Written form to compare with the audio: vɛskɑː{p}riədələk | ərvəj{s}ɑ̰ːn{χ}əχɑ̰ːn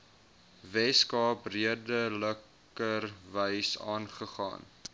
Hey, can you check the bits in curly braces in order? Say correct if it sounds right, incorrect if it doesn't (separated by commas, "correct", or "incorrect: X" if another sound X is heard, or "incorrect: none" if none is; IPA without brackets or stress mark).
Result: correct, correct, correct